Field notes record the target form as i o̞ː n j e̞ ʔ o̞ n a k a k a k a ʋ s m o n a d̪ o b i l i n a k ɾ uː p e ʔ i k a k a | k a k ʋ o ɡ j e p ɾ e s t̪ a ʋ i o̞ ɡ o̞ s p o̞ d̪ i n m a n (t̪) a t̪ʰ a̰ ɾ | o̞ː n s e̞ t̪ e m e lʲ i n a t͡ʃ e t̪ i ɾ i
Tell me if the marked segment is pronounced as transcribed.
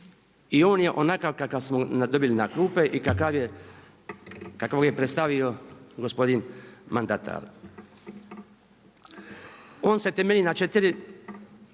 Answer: no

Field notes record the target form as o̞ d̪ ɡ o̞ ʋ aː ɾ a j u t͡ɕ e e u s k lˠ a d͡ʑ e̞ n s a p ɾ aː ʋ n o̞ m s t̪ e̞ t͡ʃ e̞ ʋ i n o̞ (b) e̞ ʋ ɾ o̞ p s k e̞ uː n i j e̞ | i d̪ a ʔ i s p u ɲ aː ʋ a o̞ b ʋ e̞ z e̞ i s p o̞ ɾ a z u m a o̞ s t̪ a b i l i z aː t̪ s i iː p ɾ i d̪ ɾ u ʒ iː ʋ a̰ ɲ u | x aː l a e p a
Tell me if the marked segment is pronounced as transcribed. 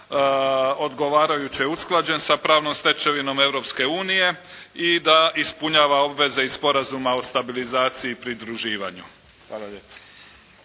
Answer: no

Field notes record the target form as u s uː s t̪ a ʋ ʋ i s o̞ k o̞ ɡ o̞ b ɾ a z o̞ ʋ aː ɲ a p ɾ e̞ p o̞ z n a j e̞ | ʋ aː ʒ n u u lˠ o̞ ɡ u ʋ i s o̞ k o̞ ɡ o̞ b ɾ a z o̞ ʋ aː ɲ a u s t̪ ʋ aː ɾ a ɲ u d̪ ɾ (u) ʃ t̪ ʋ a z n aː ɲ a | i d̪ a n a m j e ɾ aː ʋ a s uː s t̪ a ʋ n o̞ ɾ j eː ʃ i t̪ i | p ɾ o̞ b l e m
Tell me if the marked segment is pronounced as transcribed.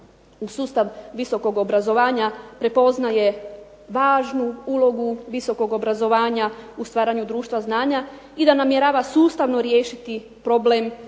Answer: no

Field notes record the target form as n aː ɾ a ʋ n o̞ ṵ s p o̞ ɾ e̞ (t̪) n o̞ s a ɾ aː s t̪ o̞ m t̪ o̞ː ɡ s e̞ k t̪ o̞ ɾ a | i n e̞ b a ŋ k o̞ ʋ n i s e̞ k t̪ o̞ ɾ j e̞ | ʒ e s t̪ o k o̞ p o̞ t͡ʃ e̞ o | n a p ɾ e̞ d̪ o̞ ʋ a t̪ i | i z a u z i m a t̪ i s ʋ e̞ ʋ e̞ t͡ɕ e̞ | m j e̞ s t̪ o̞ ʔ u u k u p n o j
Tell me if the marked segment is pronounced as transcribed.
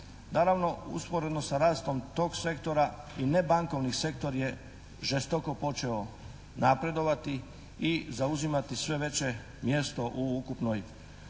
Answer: no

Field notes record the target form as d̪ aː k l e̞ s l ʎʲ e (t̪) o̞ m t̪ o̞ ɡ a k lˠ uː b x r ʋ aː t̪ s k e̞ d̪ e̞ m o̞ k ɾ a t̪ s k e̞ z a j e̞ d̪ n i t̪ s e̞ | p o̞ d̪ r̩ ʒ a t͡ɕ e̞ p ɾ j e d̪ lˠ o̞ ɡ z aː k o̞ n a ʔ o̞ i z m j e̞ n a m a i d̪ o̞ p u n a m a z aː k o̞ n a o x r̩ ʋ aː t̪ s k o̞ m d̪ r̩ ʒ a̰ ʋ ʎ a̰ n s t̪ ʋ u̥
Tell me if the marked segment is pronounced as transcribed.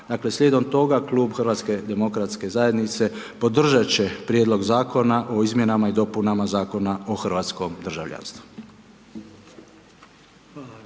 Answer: no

